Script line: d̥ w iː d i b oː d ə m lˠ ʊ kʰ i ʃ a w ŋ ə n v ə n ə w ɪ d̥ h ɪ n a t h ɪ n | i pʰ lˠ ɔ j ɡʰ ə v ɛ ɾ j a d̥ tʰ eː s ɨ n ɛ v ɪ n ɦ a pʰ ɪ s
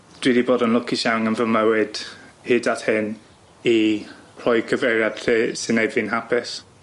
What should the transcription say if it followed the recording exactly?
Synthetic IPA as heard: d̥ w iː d i b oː d ə n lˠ ʊ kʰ i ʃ a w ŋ ə n v ə m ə w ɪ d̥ h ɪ d a t h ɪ n | i pʰ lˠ ɔ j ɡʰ ə v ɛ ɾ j a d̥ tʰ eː s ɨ n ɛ v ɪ n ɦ a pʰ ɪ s